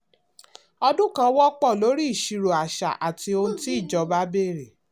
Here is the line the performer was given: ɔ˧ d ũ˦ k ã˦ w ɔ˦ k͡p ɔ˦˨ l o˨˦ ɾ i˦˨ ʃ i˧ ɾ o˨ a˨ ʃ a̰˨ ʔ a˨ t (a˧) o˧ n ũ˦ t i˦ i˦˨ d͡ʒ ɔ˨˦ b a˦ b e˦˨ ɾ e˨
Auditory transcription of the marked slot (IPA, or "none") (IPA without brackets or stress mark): i˧